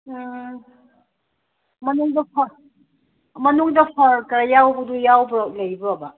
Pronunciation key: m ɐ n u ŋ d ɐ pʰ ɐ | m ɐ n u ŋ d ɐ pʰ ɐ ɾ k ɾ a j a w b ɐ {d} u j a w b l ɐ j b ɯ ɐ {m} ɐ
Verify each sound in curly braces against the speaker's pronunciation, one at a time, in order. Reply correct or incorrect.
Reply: correct, incorrect

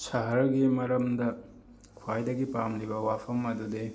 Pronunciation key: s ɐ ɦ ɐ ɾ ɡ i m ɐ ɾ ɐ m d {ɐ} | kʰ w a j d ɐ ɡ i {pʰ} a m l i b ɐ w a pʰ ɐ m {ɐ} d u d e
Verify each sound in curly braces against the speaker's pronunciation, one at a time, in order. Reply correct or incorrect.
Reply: correct, incorrect, correct

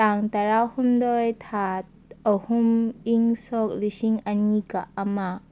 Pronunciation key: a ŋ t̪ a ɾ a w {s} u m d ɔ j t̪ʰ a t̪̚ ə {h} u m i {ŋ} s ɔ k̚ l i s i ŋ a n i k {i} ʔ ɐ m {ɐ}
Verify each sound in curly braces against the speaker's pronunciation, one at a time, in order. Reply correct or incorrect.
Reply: incorrect, correct, correct, incorrect, incorrect

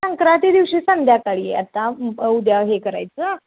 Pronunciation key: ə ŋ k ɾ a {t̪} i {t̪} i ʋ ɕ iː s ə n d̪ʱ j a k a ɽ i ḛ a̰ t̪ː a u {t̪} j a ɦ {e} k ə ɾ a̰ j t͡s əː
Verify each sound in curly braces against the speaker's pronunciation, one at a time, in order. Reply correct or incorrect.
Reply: correct, incorrect, incorrect, correct

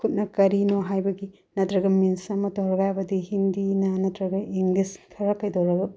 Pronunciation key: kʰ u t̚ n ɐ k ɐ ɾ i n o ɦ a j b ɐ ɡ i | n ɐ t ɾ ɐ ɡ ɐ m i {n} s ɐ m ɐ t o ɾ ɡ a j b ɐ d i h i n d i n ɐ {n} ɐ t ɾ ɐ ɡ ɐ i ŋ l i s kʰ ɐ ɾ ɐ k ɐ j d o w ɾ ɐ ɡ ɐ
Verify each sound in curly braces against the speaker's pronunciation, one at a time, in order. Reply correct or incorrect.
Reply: correct, correct

